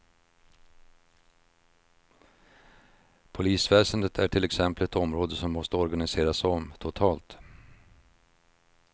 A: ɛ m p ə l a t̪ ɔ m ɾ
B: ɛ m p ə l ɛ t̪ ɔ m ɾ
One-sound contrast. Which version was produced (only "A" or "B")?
B